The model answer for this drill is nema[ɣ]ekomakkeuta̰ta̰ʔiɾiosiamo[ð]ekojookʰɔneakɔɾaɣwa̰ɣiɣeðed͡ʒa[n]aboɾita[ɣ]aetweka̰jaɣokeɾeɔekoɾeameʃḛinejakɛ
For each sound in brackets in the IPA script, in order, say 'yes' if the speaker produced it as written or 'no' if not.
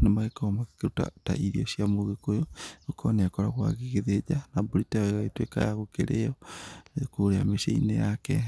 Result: yes, no, yes, yes

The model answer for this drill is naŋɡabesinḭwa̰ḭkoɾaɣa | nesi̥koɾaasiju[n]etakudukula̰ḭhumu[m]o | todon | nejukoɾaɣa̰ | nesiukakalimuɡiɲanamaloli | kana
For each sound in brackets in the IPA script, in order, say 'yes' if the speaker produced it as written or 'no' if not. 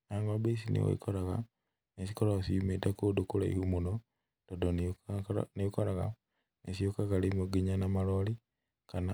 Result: no, no

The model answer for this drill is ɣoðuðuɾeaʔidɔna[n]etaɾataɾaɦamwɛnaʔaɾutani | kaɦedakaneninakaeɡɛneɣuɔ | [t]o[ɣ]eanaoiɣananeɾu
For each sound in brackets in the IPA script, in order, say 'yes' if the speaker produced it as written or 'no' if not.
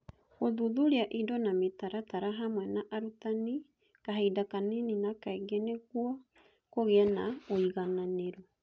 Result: no, no, yes

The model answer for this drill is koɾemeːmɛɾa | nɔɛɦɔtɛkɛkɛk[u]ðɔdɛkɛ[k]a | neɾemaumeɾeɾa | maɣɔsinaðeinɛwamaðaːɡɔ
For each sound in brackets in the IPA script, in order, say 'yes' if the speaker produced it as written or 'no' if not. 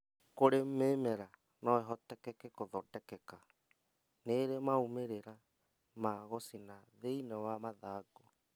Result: no, yes

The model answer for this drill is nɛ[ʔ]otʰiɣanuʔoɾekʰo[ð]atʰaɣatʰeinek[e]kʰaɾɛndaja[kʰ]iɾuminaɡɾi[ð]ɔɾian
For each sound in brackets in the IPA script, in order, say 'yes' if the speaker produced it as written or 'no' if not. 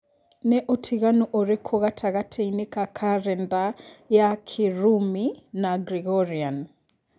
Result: yes, no, no, yes, no

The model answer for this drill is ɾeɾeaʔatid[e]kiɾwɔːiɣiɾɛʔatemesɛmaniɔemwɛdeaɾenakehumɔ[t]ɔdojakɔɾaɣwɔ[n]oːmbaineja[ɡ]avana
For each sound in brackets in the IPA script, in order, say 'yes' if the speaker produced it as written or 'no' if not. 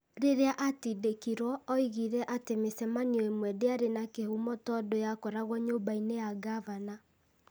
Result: yes, yes, no, yes

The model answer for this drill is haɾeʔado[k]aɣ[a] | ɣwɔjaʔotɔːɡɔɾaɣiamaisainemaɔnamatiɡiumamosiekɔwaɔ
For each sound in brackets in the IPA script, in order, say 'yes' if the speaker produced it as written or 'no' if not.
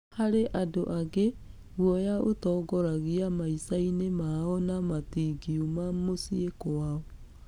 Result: no, no

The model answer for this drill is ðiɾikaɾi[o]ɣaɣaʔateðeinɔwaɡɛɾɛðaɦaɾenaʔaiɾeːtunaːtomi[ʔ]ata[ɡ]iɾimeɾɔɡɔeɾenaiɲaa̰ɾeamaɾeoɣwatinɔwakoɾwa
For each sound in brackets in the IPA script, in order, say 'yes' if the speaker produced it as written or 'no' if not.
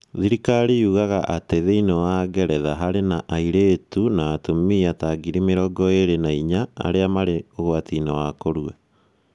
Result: no, no, yes

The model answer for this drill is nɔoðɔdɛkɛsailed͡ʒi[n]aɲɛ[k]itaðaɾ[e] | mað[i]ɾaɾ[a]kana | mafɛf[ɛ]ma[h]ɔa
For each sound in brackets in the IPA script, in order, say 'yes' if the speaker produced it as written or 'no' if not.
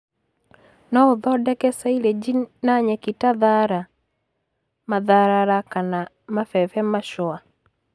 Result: yes, yes, no, no, yes, yes, no

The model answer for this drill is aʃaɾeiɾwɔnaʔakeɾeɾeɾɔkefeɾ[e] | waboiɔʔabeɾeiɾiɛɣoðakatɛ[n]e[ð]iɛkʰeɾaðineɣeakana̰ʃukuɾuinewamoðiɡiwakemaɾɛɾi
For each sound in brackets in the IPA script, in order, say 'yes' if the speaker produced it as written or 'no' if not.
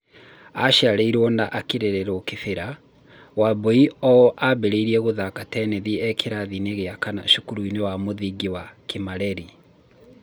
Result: no, yes, yes

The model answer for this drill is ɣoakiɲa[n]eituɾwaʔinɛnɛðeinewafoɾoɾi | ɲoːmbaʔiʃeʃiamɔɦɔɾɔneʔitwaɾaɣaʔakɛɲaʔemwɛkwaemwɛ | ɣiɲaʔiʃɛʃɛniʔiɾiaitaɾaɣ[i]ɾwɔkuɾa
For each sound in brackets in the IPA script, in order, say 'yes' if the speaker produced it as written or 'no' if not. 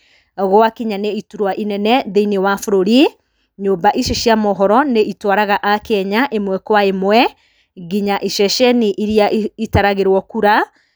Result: yes, no

